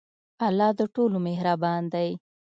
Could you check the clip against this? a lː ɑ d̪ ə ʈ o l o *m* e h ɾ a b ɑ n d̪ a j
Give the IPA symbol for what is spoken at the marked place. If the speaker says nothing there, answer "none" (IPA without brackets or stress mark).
m